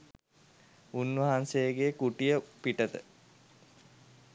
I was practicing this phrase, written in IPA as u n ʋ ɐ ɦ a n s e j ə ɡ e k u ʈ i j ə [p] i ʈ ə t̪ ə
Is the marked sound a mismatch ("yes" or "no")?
no